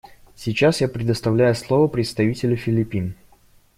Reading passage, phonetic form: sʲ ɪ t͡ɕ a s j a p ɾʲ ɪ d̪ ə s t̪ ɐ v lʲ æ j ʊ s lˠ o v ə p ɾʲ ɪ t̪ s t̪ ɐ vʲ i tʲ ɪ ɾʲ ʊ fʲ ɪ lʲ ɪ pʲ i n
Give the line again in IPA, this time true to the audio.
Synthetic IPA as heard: sʲ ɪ t͡ɕ a s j a p ɾʲ ɪ d̪ ə s t̪ ɐ v lʲ æ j ʊ s lˠ o v ə p ɾʲ ɪ t̪ s t̪ ɐ vʲ i tʲ ɪ lʲ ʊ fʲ ɪ lʲ ɪ pʲ i n